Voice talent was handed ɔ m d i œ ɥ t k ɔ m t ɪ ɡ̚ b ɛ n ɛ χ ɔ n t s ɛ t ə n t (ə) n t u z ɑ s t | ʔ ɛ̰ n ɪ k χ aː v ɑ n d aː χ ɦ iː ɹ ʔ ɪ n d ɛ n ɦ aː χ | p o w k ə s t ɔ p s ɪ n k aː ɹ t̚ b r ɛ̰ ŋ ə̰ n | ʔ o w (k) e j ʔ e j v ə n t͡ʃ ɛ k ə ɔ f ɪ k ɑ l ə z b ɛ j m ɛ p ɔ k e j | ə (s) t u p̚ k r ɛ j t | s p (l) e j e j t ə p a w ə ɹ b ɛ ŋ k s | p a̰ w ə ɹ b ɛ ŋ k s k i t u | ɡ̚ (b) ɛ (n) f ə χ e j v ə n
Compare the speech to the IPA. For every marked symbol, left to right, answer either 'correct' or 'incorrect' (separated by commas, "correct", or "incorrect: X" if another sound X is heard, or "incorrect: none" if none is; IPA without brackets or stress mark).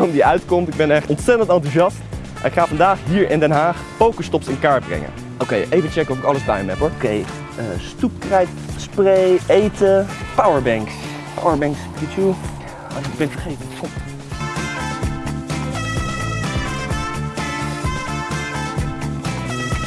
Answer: incorrect: ɑ, correct, correct, incorrect: r, correct, correct